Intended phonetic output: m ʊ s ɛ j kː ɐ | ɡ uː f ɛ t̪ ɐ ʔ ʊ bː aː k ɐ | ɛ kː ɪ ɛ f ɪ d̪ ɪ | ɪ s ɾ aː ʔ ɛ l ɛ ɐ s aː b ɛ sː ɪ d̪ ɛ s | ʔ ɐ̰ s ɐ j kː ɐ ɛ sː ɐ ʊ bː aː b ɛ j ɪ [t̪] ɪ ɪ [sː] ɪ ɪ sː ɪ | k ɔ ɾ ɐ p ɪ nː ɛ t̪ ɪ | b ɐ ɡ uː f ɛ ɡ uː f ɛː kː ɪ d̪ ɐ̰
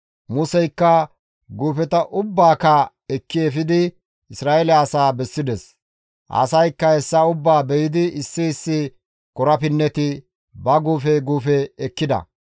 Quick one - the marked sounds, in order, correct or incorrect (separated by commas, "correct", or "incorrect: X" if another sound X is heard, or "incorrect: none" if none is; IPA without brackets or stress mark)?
incorrect: d̪, correct